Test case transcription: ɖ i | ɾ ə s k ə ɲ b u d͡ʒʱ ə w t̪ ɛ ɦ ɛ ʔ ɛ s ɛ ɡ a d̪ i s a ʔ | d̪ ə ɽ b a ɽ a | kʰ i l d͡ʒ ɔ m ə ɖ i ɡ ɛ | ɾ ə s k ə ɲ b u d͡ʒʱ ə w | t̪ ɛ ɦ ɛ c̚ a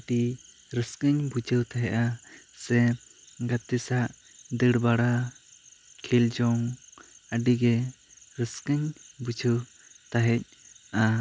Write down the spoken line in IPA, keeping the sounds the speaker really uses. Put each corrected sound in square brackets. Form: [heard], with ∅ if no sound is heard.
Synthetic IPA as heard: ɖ i | ɾ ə s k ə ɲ b u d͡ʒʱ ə w t̪ [a] ɦ ɛ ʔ [a] s ɛ ɡ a [t̪] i s a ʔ | d̪ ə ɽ b a ɽ a | kʰ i l d͡ʒ ɔ [ŋ] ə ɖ i ɡ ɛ | ɾ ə s k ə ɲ b u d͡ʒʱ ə w | t̪ [a] ɦ ɛ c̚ a